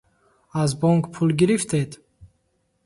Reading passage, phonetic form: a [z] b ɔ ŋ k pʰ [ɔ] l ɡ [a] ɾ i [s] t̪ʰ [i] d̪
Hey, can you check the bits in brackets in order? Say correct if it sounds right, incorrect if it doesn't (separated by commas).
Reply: correct, incorrect, incorrect, incorrect, incorrect